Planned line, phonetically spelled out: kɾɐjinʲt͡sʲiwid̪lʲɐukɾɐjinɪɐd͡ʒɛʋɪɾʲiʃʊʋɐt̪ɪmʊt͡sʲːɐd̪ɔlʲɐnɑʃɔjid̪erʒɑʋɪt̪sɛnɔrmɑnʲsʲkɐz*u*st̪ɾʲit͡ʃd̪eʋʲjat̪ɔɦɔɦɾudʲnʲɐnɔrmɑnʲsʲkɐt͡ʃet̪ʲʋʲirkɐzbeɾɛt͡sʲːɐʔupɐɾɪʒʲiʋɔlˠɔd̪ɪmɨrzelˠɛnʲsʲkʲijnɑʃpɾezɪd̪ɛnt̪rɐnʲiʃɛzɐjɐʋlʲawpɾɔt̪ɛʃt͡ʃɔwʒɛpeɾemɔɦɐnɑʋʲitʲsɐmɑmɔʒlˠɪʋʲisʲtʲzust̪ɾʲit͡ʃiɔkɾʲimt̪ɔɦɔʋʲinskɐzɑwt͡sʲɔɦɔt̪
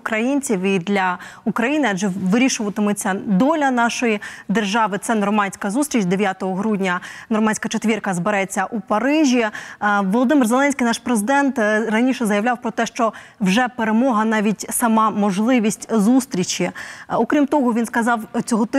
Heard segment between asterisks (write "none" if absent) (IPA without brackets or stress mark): u